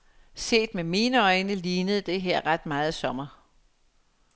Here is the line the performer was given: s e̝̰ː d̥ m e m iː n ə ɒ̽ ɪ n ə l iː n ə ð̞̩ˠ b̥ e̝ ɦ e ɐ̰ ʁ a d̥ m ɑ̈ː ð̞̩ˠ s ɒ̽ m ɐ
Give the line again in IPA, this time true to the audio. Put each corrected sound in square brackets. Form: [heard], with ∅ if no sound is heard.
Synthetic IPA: s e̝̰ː d̥ m e m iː n ə ɒ̽ ɪ n ə l iː n ə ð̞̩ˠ [d̥] e̝ ɦ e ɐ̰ ʁ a d̥ m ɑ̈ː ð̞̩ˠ s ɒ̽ m ɐ

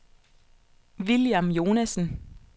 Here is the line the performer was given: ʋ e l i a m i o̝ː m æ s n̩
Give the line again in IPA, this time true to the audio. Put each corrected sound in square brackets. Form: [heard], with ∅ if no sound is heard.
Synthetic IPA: ʋ [i] l [j] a m [j] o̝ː [n] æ s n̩

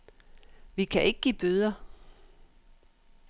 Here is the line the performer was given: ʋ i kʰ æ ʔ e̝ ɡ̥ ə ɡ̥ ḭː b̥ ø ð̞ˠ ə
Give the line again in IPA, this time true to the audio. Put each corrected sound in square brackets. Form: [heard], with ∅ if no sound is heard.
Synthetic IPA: ʋ i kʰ æ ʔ e̝ ɡ̥ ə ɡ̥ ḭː b̥ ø ð̞ˠ [ɐ]

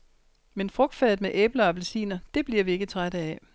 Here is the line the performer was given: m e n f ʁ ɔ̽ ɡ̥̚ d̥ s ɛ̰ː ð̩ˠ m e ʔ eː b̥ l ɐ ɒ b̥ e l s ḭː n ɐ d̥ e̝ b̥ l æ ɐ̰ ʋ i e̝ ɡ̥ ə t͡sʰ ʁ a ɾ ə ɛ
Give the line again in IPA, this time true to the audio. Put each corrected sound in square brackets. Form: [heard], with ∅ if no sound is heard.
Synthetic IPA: m e n f ʁ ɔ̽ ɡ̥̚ d̥ [f] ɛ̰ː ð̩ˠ m e ʔ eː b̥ l ɐ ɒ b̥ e l s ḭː n ɐ d̥ e̝ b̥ l [i] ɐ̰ ʋ i e̝ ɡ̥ ə t͡sʰ ʁ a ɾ ə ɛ

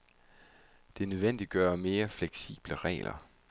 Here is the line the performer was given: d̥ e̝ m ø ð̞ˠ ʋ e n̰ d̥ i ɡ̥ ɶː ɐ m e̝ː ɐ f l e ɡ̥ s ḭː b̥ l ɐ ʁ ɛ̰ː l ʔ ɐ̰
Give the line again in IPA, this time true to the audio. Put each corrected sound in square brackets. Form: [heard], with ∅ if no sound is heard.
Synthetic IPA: d̥ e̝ [n] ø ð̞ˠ ʋ e n̰ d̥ i ɡ̥ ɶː ɐ m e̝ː ɐ f l e ɡ̥ s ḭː b̥ l [ə] ʁ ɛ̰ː l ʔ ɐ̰

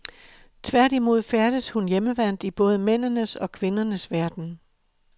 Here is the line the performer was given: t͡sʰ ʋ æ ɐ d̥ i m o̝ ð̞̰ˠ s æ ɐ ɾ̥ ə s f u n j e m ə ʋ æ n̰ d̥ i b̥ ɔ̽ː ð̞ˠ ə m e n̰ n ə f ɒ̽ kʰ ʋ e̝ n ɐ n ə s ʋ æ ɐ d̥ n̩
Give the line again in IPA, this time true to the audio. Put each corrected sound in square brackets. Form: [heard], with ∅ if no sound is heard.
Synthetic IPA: t͡sʰ ʋ æ ɐ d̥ i m o̝ ð̞̰ˠ [f] æ ɐ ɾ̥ ə s [h] u n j e m ə ʋ æ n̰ d̥ i b̥ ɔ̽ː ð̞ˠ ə m e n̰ n ə [s] ɒ̽ kʰ ʋ e̝ n ɐ n ə s ʋ æ ɐ d̥ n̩

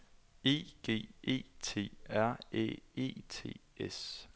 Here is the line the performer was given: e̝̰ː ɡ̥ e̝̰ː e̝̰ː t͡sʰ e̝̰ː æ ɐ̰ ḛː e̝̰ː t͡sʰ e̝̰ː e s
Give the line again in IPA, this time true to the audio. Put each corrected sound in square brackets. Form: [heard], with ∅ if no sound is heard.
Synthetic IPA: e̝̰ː ɡ̥ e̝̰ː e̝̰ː t͡sʰ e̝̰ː æ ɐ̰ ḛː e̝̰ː t͡sʰ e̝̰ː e s

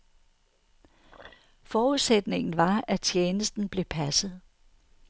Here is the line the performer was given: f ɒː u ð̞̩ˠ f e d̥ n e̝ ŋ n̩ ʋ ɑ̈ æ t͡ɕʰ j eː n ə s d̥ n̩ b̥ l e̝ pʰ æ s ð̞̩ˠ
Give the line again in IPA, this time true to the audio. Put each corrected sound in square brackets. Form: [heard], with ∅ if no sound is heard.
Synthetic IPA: f ɒː u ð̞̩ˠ [s] e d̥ n e̝ ŋ n̩ ʋ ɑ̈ æ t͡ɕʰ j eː n ə s d̥ n̩ b̥ l e̝ pʰ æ s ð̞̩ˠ

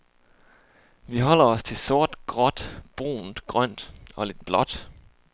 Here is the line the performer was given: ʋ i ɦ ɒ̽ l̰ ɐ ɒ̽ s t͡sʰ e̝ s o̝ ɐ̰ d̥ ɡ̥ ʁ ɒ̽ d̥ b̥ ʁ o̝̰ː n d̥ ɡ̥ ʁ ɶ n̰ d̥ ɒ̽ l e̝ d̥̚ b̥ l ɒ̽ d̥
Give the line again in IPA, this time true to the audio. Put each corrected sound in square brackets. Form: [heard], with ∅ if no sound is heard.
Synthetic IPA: ʋ i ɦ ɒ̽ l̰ ɐ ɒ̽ s t͡sʰ e̝ s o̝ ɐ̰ d̥ ɡ̥ ʁ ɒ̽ d̥ b̥ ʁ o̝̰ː n d̥ ɡ̥ ʁ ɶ n̰ d̥ ɒ̽ l e̝ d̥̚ b̥ l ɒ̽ d̥

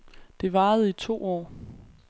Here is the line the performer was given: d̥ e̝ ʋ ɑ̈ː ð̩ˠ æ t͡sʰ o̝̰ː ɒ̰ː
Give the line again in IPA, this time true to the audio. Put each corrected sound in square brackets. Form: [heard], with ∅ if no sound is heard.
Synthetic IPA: d̥ e̝ ʋ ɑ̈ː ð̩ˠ [i] t͡sʰ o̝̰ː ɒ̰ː

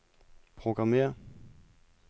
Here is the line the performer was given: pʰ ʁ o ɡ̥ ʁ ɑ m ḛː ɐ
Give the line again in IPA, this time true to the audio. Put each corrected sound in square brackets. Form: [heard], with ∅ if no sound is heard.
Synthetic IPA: pʰ ʁ o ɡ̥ ʁ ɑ m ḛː ɐ

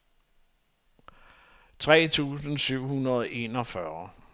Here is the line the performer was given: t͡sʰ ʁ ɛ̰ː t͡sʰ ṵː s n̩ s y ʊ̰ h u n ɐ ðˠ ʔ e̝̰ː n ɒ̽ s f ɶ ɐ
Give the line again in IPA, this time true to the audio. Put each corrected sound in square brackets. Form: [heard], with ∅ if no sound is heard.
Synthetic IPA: t͡sʰ ʁ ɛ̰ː t͡sʰ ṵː s n̩ s y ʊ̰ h u n ɐ ðˠ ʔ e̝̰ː n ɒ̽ [∅] f ɶ ɐ

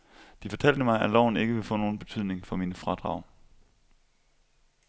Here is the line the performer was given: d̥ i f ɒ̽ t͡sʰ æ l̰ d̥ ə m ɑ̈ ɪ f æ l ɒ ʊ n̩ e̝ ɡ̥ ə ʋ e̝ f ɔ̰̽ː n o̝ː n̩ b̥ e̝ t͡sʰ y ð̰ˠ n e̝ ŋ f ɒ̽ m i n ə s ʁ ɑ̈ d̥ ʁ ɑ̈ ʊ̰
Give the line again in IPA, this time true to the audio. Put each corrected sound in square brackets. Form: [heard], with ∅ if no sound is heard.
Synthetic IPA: d̥ i f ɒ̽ t͡sʰ æ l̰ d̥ ə m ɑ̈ ɪ [∅] æ l ɒ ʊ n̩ e̝ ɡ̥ ə ʋ e̝ f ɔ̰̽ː n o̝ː n̩ b̥ e̝ t͡sʰ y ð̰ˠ n e̝ ŋ f ɒ̽ m i n ə [f] ʁ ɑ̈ d̥ ʁ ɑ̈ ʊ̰

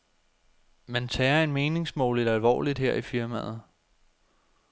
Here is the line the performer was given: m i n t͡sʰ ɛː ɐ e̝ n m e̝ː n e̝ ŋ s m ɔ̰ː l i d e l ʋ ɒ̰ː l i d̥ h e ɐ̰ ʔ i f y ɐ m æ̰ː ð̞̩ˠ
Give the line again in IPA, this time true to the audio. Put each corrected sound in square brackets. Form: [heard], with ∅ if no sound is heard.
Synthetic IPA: m [æ] n t͡sʰ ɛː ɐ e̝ n m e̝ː n e̝ ŋ s m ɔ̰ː l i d [æ] l ʋ ɒ̰ː l i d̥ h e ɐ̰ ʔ i f [i] ɐ m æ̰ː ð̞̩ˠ

